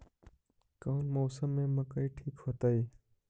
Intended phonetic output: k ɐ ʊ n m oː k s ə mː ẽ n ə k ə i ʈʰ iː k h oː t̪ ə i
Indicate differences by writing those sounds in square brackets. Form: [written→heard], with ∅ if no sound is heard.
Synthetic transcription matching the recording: k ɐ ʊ n m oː [k→∅] s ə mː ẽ [n→m] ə k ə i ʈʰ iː k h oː t̪ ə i